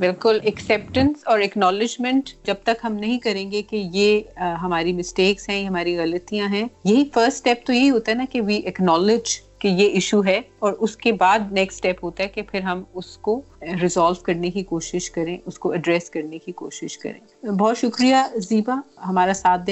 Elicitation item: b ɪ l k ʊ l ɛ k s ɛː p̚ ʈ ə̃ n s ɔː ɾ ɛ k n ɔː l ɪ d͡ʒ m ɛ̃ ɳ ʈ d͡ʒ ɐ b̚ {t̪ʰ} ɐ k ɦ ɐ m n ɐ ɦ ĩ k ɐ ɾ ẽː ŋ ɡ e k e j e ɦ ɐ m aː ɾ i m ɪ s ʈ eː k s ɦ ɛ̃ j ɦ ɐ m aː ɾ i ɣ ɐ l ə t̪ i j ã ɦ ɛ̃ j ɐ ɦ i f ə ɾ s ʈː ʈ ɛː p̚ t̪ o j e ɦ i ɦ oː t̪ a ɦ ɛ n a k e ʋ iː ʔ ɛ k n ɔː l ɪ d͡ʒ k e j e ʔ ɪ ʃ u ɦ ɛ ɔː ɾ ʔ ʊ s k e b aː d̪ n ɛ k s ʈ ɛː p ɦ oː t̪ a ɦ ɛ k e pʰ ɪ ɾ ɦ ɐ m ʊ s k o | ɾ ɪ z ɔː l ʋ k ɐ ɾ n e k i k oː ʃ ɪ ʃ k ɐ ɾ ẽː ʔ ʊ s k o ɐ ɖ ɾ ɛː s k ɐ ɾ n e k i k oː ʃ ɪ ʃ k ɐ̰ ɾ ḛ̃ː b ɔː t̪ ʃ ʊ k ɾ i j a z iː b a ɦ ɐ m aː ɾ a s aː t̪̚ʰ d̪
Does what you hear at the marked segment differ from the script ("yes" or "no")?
yes